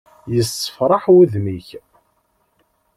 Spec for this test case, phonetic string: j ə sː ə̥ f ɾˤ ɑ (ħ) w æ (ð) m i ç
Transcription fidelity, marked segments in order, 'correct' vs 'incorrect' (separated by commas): correct, correct